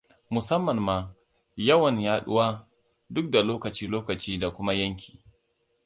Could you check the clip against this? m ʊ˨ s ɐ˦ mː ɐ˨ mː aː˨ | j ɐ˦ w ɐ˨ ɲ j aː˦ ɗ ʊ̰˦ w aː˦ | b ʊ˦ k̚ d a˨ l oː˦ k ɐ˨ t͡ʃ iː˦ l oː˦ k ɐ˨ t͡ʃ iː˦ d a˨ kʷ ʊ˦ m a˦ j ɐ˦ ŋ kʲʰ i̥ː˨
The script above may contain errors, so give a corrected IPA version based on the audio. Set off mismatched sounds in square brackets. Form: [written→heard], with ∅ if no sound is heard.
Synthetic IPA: m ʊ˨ s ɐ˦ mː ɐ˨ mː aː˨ | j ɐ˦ w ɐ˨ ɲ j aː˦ ɗ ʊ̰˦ w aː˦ | [b→d] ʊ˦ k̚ d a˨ l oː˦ k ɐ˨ t͡ʃ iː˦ l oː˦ k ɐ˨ t͡ʃ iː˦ d a˨ kʷ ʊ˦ m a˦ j ɐ˦ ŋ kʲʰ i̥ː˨